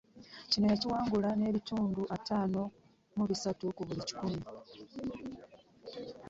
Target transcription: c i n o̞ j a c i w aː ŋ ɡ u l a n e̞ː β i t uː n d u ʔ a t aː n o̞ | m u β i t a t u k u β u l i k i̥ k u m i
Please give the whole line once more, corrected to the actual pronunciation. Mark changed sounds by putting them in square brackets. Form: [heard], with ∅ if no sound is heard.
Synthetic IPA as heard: c i n o̞ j a c i w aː ŋ ɡ u l a n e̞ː β i t uː n d u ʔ a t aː n o̞ | m u β i [s] a t u k u β u l i [c] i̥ k u m i